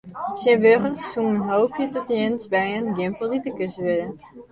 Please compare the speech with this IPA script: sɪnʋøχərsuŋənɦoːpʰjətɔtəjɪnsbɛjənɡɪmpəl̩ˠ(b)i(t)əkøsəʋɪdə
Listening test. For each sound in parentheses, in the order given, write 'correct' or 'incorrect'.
incorrect: d, correct

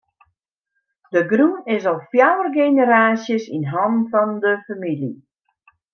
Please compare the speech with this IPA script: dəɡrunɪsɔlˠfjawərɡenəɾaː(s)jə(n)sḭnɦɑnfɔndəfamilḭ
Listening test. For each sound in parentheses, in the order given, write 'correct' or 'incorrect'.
correct, incorrect: none

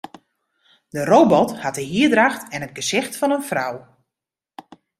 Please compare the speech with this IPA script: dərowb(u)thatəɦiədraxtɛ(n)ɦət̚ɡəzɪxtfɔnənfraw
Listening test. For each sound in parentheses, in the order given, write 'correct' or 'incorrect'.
incorrect: ɔ, correct

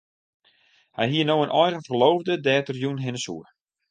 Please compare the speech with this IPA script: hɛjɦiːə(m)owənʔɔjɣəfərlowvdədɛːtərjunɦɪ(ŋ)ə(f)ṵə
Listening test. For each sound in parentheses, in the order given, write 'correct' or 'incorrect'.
incorrect: n, incorrect: n, incorrect: s

